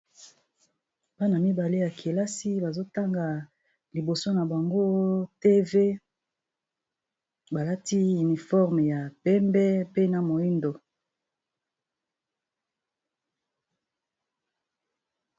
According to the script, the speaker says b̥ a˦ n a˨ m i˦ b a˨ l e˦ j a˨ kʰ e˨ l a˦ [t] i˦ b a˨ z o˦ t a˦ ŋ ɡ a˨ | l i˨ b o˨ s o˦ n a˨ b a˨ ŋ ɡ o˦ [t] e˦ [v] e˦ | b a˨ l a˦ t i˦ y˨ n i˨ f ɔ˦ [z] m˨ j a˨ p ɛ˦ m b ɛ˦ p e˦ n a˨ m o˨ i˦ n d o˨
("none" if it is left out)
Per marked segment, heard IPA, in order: s, t, v, ʁ

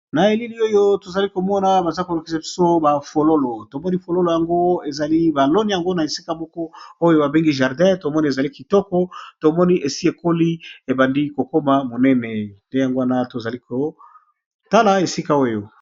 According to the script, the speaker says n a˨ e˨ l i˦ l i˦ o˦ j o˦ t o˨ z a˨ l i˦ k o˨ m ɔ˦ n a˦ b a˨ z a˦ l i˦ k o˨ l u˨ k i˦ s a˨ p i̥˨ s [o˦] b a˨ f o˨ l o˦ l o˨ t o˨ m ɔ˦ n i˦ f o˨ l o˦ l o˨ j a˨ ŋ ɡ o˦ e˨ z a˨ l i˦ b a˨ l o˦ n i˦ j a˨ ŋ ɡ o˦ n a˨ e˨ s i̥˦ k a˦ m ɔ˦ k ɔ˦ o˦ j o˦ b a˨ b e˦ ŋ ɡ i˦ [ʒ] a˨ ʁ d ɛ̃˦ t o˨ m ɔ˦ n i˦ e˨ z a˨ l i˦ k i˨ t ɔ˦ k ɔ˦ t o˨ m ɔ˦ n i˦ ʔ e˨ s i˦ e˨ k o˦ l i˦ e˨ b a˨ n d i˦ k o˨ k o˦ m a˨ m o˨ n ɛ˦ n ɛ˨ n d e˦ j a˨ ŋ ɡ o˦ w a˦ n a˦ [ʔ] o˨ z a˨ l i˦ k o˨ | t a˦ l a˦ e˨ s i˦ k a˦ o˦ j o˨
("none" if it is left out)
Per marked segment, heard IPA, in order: o˦, ʒ, t

